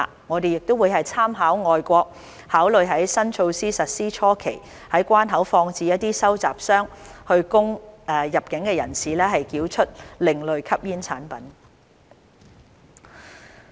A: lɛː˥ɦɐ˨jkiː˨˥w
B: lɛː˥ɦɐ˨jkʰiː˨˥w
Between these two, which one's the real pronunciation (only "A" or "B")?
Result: A